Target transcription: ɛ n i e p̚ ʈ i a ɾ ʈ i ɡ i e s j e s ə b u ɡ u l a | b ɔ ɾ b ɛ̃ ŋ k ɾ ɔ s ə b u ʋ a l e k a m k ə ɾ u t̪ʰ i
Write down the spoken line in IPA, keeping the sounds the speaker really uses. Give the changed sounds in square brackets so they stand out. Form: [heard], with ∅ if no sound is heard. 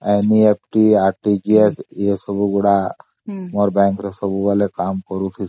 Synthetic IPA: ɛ n i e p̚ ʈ i a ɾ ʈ i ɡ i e s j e s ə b u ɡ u [ɽ] a | [m] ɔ ɾ b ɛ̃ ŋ k ɾ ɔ s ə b u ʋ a l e k a m k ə ɾ u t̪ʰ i